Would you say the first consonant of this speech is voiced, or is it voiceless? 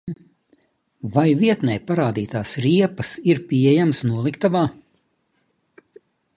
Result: voiced